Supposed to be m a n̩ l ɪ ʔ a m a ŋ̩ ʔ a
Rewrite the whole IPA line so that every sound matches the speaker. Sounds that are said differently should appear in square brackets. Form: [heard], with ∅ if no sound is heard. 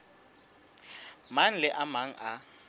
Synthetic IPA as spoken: m a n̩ l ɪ ʔ a m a ŋ̩ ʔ a